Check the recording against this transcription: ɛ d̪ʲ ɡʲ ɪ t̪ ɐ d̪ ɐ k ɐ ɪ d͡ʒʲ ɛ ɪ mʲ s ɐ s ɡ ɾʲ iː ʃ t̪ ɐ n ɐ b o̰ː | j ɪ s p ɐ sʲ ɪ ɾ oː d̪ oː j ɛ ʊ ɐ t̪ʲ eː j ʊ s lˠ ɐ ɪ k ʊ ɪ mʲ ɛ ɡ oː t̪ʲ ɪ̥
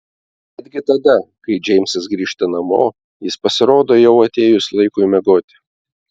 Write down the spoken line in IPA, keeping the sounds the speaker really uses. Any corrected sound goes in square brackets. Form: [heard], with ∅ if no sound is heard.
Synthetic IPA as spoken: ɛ d̪ʲ ɡʲ ɪ t̪ ɐ d̪ ɐ k ɐ ɪ d͡ʒʲ ɛ ɪ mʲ s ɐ s ɡ ɾʲ iː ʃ t̪ ɐ n ɐ [m] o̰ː | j ɪ s p ɐ sʲ ɪ ɾ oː d̪ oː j ɛ ʊ ɐ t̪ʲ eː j ʊ s lˠ ɐ ɪ k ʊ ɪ mʲ ɛ ɡ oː t̪ʲ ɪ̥